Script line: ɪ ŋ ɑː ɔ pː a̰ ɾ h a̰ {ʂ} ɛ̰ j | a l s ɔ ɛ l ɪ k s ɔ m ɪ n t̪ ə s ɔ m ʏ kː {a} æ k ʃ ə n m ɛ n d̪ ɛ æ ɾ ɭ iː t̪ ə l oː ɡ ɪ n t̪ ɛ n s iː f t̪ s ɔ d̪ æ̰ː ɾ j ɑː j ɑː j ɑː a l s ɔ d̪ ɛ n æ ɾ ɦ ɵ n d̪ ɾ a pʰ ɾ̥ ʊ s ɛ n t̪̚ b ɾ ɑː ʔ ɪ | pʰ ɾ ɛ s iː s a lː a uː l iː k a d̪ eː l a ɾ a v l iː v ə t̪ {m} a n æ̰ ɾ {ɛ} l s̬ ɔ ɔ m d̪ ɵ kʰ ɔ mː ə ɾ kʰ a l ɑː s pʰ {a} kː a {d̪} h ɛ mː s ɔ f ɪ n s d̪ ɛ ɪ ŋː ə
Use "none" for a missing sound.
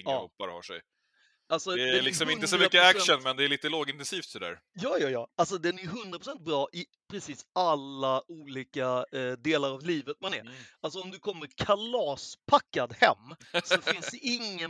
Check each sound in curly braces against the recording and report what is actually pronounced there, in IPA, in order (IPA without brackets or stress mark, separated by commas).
ʂ, ə, m, a, a, d̪